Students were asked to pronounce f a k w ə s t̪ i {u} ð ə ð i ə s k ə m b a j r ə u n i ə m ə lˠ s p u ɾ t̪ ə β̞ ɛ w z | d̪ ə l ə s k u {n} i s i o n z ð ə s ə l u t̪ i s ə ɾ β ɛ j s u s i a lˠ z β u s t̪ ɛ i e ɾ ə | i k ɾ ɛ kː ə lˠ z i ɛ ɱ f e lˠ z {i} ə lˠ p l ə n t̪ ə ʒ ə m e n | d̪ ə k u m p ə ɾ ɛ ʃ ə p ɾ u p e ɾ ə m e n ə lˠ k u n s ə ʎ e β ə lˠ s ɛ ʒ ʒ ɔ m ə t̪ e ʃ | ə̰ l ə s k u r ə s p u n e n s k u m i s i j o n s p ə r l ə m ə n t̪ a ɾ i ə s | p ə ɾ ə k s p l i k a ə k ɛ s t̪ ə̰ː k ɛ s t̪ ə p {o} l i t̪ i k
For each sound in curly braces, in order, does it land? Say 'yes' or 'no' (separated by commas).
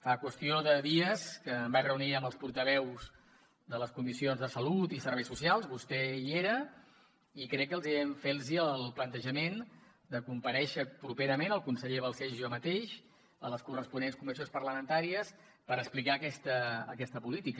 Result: no, no, yes, no